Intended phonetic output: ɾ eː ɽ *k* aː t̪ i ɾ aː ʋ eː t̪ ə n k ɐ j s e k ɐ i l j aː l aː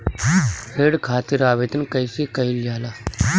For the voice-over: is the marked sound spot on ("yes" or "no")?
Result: no